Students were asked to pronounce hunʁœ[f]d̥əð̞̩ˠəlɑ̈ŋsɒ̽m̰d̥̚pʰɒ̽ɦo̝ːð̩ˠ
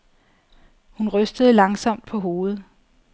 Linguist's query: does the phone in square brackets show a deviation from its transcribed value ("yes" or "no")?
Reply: yes